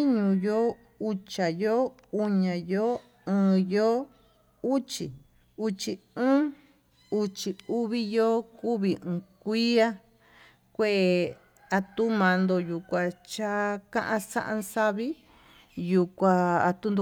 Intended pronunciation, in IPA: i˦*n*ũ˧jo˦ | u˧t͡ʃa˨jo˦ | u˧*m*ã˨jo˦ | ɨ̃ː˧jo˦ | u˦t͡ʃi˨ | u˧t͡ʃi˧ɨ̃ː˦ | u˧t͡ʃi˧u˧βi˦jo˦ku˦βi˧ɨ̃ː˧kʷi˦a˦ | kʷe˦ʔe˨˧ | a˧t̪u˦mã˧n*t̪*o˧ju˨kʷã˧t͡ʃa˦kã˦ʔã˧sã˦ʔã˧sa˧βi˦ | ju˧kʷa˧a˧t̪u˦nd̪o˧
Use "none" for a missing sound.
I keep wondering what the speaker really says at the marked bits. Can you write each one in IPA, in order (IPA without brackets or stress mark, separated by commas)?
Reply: ɲ, ɲ, d̪